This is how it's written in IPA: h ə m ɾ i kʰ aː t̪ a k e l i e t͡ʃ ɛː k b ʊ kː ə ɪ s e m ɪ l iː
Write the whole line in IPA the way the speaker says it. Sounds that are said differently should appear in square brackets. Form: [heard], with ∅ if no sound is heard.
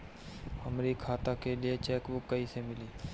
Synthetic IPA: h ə m ɾ i kʰ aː t̪ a k e l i e t͡ʃ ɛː k b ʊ kː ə [i] s e m ɪ l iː